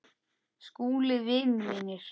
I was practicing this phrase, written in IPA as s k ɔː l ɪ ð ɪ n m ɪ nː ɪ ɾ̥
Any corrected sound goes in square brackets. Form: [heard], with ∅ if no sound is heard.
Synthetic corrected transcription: s k [uː] l ɪ [v] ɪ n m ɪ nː ɪ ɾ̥